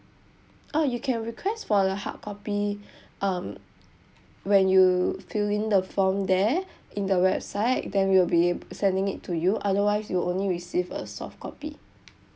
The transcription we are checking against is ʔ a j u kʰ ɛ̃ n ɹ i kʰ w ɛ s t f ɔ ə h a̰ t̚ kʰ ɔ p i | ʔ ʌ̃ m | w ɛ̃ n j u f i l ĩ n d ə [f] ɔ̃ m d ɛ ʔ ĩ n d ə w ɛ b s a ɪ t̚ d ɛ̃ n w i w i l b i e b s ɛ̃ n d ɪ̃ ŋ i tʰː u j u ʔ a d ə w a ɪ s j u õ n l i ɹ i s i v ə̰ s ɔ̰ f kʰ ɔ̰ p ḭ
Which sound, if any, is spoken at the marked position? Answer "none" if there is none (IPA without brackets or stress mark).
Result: f